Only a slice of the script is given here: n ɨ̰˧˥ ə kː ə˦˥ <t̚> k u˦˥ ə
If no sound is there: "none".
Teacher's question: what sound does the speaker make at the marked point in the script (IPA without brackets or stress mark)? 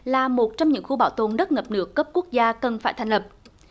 p̚